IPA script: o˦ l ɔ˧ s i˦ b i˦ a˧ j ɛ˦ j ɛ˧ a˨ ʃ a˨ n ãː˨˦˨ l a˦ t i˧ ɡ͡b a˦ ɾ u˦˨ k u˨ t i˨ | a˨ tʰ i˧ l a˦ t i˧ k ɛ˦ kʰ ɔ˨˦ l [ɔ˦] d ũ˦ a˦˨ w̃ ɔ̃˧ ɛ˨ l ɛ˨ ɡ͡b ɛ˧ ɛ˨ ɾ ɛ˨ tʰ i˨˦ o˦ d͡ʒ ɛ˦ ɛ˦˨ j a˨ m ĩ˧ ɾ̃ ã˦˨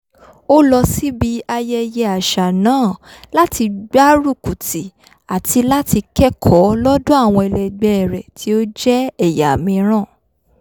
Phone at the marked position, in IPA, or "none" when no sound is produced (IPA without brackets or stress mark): ɔ˦